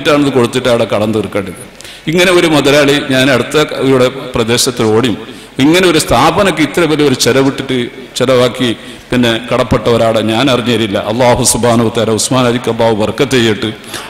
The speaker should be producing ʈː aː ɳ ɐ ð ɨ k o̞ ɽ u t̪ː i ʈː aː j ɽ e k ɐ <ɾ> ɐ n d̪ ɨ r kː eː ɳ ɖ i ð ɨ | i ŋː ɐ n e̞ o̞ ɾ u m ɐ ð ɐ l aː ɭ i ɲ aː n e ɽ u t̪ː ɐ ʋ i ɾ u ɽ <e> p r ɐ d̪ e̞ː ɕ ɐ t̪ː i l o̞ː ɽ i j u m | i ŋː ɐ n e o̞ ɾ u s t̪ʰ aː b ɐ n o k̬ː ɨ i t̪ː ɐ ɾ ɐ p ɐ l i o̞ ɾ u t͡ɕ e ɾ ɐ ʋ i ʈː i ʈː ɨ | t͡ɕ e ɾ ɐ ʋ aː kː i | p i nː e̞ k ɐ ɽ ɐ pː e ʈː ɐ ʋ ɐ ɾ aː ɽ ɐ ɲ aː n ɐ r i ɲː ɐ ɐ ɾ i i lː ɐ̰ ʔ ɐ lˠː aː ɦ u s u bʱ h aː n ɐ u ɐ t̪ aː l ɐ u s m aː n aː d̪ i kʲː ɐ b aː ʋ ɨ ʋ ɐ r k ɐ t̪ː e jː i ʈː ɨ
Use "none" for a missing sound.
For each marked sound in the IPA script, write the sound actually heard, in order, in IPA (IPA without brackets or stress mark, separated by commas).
ɽ, e